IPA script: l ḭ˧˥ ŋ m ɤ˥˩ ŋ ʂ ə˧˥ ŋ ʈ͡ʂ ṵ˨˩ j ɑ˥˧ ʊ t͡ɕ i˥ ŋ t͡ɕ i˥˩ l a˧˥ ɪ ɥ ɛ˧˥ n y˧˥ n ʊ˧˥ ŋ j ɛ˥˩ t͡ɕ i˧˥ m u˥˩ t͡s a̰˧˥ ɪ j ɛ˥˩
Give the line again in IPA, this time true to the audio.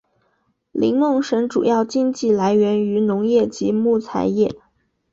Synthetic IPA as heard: l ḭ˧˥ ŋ m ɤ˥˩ ŋ ʂ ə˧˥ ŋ ʈ͡ʂ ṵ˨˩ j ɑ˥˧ ʊ t͡ɕ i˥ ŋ t͡ɕ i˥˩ l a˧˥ ɪ ɥ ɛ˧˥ n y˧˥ n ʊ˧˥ ŋ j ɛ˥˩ t͡ɕ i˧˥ m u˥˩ t͡sʰ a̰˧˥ ɪ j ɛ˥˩